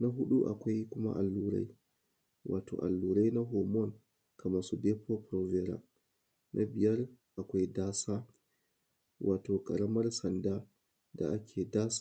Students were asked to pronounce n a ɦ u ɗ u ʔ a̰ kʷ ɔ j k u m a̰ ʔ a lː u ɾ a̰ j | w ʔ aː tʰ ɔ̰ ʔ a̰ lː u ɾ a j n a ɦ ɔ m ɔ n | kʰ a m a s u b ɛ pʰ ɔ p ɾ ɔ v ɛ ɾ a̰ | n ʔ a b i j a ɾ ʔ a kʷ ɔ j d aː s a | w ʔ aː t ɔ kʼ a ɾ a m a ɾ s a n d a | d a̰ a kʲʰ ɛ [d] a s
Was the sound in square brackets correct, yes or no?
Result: yes